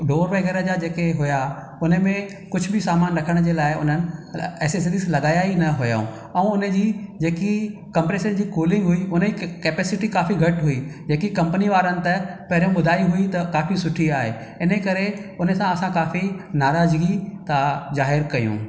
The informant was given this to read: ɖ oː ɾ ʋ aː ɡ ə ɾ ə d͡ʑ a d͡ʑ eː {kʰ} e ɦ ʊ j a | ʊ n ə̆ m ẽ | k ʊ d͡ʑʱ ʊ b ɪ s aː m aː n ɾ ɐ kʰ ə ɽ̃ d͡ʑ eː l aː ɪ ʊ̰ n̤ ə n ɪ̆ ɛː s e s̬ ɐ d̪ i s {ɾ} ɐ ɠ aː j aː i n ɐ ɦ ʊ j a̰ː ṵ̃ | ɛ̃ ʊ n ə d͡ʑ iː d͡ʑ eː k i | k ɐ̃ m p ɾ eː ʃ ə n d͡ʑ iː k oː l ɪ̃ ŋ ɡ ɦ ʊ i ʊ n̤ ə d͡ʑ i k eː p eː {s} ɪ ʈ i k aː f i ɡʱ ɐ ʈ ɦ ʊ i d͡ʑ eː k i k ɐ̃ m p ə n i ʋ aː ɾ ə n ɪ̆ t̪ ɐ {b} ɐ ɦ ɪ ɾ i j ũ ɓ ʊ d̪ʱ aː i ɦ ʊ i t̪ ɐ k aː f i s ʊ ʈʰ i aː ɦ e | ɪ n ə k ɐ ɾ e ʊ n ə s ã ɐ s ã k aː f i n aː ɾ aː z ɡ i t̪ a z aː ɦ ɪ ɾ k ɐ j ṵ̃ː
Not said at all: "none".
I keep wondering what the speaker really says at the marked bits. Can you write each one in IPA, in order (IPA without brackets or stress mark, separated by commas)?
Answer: k, l, s, p